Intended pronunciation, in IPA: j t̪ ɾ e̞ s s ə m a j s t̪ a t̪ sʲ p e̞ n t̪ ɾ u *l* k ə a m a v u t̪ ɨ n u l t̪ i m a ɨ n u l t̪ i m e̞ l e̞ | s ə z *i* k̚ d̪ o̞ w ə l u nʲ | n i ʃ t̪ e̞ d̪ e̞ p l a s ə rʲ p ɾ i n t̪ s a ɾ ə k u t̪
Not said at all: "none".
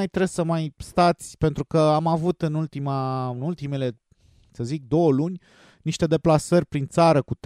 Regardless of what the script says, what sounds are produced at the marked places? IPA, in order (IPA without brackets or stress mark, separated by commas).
none, i